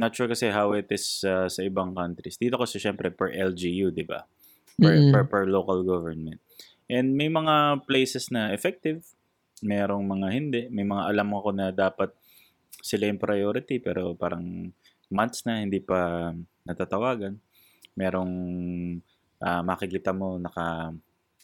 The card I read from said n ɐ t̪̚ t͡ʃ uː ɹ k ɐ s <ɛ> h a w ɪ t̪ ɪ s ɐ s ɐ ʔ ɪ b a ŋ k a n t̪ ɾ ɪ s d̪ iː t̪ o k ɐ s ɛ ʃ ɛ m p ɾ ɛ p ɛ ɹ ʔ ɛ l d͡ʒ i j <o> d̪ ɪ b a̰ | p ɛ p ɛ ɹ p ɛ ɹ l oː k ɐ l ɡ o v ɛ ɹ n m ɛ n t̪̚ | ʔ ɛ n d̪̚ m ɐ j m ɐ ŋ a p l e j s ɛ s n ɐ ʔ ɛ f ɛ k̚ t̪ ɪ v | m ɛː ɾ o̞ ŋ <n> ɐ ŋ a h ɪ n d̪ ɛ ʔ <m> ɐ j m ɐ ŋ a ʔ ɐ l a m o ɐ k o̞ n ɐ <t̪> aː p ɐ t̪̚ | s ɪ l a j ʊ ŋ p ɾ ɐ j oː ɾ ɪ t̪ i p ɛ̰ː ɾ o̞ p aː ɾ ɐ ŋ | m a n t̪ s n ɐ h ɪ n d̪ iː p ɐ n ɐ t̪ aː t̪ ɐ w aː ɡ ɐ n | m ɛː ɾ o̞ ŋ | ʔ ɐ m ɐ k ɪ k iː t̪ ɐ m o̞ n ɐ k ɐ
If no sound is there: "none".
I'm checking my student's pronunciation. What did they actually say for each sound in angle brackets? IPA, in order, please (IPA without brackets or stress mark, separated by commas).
ɛ, u, m, m, d̪